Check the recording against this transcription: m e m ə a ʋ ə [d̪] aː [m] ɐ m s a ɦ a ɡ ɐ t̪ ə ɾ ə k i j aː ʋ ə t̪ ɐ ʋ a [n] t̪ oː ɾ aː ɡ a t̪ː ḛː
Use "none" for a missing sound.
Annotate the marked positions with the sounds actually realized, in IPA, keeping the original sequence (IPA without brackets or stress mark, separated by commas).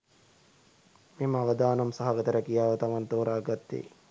d̪, n, n